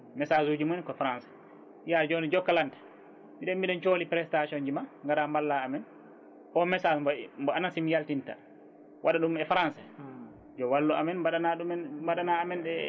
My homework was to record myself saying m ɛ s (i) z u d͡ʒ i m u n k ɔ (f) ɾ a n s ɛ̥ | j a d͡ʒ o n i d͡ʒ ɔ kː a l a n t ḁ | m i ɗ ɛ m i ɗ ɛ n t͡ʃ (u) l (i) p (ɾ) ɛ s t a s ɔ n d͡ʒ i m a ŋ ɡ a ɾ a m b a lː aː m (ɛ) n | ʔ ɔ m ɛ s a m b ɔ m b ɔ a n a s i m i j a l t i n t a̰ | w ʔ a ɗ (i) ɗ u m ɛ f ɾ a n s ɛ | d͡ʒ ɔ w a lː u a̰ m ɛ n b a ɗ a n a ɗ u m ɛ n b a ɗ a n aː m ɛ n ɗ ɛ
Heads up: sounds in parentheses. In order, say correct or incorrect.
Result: incorrect: a, correct, incorrect: o, correct, correct, correct, incorrect: a

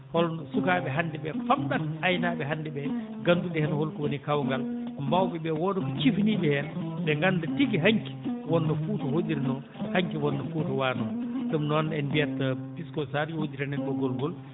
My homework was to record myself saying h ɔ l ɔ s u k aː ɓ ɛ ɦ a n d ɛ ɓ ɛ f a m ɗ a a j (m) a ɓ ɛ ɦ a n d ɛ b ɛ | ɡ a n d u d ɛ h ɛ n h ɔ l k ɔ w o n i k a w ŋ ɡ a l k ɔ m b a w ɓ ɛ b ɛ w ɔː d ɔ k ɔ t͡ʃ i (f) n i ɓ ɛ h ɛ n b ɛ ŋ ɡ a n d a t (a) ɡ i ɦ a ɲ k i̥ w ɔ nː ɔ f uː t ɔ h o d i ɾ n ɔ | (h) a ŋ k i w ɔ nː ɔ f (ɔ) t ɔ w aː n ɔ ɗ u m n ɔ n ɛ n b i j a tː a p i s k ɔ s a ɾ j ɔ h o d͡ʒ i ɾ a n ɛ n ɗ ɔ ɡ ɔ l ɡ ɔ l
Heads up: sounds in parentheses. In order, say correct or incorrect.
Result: incorrect: n, correct, incorrect: i, correct, incorrect: u

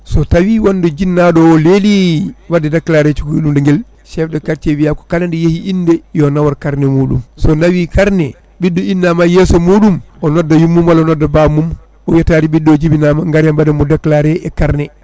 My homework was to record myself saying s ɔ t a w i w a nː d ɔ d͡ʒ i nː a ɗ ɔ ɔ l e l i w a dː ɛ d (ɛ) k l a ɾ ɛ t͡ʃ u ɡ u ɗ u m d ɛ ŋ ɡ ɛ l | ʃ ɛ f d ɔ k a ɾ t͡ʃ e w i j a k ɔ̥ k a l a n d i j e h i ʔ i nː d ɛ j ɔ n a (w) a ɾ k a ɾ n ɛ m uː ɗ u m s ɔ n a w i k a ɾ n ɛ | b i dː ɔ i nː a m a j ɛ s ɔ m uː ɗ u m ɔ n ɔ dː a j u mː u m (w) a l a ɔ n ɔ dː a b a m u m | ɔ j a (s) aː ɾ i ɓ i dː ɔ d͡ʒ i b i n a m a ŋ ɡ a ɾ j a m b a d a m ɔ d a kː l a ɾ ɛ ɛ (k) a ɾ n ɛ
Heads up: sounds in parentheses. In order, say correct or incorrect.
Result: incorrect: a, correct, correct, incorrect: t, correct

